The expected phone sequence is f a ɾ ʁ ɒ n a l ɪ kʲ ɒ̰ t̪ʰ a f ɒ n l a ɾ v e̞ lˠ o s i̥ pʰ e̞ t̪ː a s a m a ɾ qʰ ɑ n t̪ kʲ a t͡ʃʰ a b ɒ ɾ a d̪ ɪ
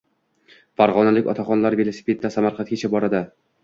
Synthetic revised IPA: f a ɾ ʁ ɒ n a l ɪ kʲ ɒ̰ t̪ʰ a χ ɒ n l a ɾ v e̞ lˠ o s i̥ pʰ e̞ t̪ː a s a m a ɾ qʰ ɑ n t̪ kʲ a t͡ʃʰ a b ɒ ɾ a d̪ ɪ